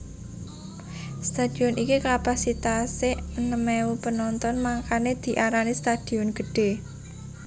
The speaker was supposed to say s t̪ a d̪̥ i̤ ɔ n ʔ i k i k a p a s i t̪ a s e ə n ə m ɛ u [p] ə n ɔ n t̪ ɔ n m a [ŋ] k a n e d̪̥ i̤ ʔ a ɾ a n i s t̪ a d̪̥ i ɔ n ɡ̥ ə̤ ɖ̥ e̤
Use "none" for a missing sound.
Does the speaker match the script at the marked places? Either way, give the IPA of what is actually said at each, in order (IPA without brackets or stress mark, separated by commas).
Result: p, ŋ